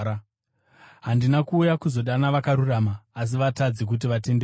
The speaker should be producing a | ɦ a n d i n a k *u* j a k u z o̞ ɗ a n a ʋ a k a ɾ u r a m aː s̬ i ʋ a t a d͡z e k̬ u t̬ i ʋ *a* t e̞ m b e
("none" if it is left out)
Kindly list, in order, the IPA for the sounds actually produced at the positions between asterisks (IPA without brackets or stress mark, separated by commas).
uː, a